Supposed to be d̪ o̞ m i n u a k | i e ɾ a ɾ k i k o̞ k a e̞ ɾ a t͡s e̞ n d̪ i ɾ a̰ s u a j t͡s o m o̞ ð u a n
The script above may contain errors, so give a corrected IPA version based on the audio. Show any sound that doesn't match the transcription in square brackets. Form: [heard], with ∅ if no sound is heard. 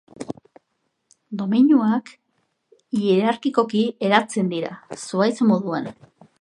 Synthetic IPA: d̪ o̞ m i [ɲ] u a k | i e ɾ a ɾ k i k o̞ k [i] e̞ ɾ a t͡s e̞ n d̪ i ɾ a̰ s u a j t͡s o m o̞ ð u a n